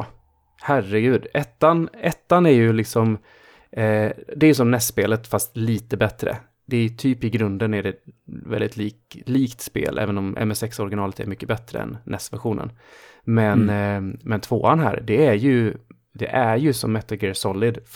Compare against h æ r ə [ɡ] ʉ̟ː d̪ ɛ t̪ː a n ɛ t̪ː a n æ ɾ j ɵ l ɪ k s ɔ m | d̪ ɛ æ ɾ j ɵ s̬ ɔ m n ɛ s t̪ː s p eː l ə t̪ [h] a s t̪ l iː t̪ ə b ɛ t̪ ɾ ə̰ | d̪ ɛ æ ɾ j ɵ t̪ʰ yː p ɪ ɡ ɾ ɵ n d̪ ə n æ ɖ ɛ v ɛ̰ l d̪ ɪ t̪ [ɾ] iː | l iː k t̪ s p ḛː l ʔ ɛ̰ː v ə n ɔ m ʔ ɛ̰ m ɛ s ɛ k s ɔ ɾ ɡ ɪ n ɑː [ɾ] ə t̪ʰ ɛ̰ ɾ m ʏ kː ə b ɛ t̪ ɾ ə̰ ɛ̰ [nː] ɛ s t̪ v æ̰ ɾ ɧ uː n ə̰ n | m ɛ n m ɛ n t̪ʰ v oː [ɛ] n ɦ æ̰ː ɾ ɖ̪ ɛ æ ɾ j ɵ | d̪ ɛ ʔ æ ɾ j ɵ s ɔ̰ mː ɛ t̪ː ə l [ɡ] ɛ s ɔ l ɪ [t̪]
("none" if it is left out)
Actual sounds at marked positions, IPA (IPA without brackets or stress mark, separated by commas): ɡ, f, l, l, nː, a, ɡ, d̪